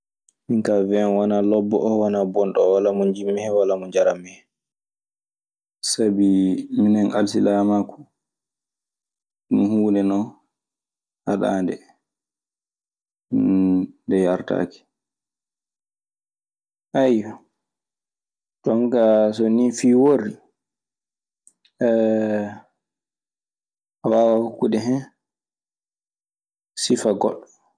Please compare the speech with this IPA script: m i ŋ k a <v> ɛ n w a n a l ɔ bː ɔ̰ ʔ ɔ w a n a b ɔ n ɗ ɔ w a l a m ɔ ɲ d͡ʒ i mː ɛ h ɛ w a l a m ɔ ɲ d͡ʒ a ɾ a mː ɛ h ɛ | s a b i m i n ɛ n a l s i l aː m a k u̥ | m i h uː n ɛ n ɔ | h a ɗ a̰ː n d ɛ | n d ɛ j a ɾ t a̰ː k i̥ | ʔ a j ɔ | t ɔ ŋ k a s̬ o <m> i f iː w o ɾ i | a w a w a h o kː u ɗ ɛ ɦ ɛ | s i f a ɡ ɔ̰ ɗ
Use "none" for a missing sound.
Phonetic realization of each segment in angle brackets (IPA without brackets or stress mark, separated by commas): v, n